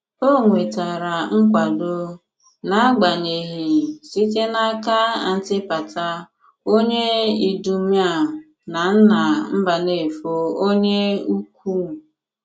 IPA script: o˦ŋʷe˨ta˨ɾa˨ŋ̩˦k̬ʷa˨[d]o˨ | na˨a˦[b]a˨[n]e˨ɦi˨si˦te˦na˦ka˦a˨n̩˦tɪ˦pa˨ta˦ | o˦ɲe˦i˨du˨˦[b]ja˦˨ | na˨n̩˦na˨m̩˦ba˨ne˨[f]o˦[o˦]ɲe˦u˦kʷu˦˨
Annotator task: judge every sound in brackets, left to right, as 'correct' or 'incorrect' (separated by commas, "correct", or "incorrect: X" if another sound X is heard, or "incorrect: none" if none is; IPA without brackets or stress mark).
correct, incorrect: ɡ͡b, incorrect: ɲ, incorrect: m, correct, correct